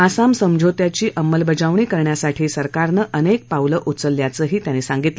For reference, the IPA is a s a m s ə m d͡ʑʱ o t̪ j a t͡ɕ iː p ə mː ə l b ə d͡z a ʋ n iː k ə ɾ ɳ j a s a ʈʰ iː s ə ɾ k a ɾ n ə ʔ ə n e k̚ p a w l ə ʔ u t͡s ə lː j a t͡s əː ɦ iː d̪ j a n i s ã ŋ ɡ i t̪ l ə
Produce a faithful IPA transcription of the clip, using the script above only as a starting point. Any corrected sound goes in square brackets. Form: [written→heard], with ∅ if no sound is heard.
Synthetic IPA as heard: a s a m s ə m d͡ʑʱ o t̪ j a t͡ɕ iː [p→ʔ] ə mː ə l b ə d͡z a ʋ [n→ɳ] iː k ə ɾ ɳ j a s a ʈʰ iː s ə ɾ k a ɾ n ə ʔ ə n e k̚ p a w l ə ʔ u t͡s ə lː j a t͡s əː ɦ iː [d̪→t̪] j a n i s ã ŋ ɡ i t̪ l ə